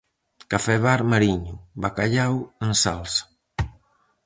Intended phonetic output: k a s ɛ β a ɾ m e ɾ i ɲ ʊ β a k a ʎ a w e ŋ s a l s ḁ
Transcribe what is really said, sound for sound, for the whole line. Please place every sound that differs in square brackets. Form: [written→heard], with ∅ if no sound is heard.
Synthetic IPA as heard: k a [s→f] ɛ β a ɾ m [e→a] ɾ i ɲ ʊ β a k a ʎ a w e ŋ s a l s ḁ